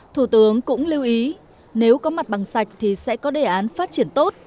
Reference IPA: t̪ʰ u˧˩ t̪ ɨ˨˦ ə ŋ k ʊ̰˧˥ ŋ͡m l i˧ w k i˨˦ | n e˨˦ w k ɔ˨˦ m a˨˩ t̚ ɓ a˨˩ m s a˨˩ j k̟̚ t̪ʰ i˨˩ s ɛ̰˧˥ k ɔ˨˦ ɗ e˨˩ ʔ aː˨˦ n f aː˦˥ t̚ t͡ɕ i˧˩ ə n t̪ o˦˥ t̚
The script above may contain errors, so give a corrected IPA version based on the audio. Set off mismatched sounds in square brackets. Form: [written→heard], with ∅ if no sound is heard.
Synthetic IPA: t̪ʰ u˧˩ t̪ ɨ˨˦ ə ŋ k ʊ̰˧˥ ŋ͡m l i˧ w [k→ʔ] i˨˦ | n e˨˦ w k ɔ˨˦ m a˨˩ t̚ ɓ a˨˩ [m→ŋ] s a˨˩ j k̟̚ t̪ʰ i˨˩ s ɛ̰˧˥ k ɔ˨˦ ɗ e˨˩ ʔ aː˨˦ n f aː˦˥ t̚ t͡ɕ i˧˩ ə n t̪ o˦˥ t̚